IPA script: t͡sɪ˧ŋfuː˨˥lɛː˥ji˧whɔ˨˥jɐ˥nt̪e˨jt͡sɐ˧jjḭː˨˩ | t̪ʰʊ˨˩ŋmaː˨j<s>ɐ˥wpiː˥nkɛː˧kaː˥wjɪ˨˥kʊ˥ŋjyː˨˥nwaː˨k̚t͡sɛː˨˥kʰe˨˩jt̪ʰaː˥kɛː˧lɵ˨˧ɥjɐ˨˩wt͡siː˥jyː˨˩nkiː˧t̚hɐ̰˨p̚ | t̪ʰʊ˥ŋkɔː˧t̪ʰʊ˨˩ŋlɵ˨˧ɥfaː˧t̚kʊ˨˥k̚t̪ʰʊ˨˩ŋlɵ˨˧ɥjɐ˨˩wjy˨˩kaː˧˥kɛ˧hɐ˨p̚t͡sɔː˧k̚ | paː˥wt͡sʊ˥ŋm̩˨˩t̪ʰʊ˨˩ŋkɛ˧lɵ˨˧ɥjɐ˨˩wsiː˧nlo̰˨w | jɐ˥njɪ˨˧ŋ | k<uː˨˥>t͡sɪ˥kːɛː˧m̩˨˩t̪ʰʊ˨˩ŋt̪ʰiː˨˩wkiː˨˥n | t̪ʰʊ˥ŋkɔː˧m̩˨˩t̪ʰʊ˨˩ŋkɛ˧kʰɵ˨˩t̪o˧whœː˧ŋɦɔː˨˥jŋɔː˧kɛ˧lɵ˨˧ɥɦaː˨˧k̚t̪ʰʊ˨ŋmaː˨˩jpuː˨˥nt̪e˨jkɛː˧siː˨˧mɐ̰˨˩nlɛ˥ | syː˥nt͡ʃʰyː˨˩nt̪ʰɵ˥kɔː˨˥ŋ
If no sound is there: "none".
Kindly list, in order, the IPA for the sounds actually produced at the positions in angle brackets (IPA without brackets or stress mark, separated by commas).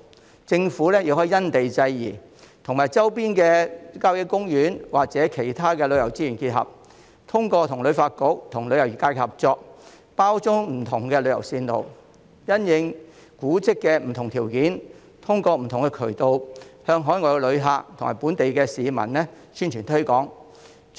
t͡s, uː˨˥